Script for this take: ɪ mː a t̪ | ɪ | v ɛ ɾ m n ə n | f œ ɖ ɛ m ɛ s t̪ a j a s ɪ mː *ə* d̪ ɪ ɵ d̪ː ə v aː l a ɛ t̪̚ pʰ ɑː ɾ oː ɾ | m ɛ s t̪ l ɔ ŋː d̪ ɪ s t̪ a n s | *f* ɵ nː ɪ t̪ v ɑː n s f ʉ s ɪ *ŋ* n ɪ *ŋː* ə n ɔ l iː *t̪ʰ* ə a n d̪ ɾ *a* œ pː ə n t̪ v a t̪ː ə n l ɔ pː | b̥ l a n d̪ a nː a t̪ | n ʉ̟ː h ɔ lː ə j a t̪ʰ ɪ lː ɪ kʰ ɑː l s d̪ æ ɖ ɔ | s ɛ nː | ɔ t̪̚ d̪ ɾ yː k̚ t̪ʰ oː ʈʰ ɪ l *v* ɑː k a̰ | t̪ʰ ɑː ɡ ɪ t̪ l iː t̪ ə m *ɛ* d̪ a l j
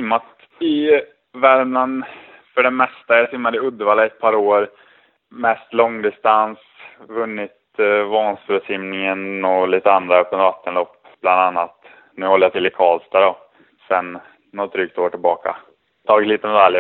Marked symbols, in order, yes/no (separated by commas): no, no, no, no, no, yes, no, yes